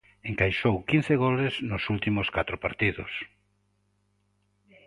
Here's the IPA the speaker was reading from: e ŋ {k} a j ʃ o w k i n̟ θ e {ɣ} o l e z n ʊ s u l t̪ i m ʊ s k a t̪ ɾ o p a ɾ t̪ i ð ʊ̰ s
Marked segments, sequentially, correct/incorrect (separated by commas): correct, correct